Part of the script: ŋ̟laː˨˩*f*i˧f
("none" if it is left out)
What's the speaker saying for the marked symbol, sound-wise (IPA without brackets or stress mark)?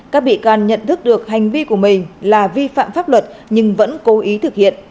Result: v